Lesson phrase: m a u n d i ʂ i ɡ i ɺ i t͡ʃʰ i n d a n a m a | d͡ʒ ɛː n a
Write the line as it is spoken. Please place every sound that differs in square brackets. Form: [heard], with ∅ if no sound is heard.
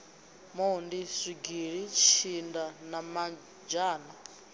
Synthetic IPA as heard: m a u n d i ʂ i ɡ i ɺ i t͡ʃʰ i n d a n a m a | d͡ʒ [aː] n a